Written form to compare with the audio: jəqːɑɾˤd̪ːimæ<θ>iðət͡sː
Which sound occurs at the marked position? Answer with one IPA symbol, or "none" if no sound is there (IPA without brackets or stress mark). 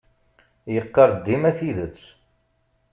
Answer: θ